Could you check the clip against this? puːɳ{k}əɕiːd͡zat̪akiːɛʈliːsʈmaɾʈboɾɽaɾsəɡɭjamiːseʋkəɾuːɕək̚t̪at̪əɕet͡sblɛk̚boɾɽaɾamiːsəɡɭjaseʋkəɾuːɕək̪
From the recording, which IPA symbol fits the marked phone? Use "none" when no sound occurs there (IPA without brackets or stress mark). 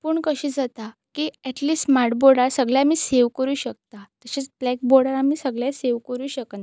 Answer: k